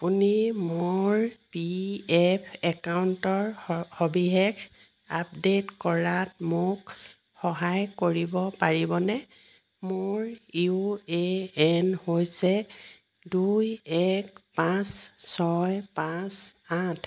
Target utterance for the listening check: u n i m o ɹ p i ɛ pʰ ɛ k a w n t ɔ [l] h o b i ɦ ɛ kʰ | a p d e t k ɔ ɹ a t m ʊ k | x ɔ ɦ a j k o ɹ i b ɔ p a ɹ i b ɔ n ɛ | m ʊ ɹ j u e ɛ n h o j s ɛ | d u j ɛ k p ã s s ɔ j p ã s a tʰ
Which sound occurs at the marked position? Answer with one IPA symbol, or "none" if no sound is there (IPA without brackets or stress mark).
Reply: ɹ